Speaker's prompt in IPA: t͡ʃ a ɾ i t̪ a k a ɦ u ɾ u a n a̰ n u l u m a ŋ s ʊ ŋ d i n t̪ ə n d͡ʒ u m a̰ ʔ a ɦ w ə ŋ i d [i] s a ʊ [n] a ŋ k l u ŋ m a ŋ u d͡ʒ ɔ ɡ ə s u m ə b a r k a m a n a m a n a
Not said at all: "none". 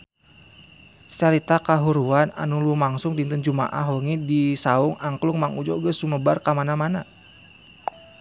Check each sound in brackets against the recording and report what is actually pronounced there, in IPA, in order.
i, ŋ

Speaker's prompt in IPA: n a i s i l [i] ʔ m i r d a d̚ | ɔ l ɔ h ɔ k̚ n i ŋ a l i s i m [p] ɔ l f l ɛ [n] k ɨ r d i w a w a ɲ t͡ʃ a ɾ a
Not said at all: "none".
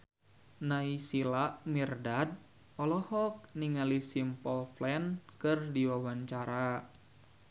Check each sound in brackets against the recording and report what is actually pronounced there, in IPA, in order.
a, p, n

